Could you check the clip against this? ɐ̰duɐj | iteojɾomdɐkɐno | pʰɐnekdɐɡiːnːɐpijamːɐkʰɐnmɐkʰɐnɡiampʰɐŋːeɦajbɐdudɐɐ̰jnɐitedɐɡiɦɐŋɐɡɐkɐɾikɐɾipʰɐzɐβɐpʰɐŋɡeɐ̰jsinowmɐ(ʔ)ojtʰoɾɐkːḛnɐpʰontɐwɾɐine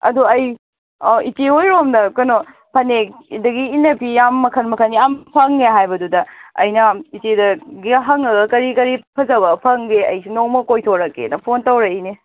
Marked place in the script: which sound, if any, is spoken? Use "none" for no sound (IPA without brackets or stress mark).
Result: k